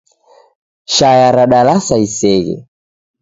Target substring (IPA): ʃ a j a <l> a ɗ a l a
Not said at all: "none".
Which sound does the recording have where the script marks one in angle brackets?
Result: ɾ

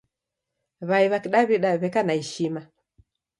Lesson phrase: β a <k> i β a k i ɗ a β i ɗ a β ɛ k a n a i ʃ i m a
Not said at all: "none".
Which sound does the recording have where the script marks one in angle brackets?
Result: none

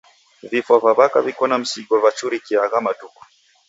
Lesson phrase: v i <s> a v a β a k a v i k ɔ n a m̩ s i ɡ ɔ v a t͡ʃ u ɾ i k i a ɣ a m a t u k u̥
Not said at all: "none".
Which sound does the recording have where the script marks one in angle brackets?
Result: f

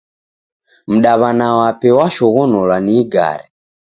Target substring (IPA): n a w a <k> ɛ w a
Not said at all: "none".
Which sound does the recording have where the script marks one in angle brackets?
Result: p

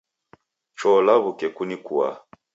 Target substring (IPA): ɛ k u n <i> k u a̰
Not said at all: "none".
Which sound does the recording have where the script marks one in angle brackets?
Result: i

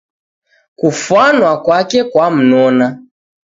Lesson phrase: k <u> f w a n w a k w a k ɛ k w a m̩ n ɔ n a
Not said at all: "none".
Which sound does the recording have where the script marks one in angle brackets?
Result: u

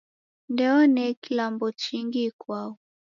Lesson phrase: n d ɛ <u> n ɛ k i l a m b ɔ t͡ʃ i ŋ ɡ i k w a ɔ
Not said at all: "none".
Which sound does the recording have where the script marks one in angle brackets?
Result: ɔ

